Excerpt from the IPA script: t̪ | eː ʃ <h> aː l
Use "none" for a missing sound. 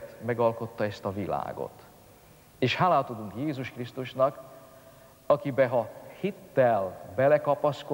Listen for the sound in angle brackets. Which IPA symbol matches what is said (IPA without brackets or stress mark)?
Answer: h